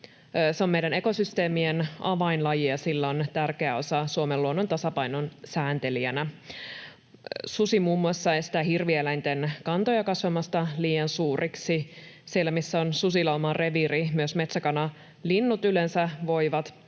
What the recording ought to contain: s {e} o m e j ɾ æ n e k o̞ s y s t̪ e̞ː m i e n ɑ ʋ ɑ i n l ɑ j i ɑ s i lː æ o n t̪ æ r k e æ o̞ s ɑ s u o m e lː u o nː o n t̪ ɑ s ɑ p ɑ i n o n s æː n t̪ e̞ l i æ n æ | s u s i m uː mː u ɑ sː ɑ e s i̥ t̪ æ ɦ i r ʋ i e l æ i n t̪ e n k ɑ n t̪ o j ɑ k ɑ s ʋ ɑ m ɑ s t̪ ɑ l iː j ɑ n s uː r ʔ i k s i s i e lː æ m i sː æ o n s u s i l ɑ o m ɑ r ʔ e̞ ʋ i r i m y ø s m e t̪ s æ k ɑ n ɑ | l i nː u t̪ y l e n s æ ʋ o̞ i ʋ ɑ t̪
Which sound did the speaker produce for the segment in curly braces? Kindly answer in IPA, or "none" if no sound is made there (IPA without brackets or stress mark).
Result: e